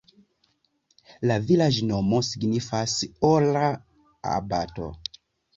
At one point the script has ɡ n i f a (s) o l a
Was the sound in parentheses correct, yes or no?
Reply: yes